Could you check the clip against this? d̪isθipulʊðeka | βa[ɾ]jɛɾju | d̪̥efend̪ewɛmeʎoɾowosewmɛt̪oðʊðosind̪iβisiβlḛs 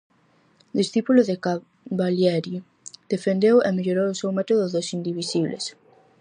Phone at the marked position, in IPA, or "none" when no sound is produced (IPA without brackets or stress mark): l